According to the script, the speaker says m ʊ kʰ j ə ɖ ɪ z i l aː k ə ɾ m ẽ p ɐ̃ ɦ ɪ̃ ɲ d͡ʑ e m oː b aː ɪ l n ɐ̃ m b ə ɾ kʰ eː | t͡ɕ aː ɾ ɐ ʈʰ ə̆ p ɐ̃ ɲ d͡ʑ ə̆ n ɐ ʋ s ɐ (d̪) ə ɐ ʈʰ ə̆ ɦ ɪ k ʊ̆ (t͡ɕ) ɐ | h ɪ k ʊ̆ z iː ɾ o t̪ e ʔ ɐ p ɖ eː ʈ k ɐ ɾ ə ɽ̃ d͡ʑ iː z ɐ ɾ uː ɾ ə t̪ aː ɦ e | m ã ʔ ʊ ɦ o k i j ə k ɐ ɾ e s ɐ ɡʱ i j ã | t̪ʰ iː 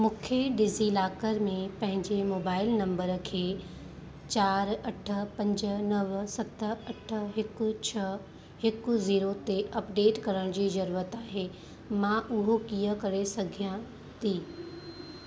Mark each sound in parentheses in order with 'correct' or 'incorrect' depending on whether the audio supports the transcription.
incorrect: t̪, incorrect: t͡ɕʰ

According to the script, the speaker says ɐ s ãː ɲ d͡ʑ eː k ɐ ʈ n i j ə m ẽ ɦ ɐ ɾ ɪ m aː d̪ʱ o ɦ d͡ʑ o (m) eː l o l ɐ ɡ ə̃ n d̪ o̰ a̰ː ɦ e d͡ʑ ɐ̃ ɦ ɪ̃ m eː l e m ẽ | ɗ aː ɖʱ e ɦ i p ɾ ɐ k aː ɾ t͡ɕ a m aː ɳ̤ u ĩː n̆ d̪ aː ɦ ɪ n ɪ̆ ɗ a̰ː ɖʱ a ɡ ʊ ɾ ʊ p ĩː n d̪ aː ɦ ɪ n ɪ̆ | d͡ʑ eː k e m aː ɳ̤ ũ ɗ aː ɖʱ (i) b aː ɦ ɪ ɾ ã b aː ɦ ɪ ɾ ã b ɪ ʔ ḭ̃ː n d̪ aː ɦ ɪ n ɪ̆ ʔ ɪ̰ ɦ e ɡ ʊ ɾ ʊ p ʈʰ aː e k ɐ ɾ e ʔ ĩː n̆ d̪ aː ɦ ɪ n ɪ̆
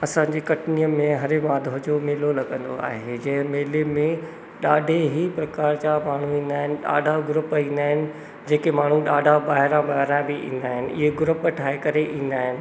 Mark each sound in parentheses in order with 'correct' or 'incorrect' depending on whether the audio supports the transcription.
correct, incorrect: a

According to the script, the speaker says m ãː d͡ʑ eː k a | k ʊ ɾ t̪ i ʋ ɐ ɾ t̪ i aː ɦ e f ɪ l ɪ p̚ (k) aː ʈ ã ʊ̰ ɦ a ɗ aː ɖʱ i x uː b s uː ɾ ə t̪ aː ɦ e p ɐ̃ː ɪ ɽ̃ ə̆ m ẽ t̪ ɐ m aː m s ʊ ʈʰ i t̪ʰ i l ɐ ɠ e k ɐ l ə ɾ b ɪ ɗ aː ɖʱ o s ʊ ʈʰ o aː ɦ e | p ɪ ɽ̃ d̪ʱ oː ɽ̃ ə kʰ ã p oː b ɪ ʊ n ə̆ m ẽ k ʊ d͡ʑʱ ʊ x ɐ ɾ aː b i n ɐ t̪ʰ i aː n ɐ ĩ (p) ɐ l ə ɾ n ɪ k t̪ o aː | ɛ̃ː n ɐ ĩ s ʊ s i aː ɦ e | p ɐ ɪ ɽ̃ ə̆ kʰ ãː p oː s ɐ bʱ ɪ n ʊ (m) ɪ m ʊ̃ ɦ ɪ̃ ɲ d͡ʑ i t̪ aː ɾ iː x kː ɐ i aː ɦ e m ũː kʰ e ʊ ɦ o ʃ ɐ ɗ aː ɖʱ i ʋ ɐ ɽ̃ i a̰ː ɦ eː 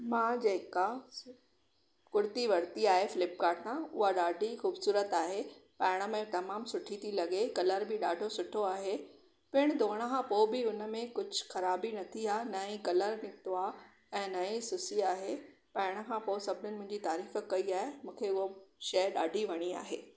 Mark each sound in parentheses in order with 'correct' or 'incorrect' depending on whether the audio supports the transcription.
correct, incorrect: k, incorrect: n

